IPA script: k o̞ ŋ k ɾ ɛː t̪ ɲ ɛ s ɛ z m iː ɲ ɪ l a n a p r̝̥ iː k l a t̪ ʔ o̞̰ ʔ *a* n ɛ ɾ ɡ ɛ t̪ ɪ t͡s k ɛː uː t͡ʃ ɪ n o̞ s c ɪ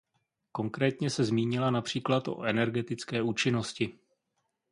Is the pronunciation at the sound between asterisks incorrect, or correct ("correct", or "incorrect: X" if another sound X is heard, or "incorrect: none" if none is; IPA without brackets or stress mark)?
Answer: incorrect: ɛ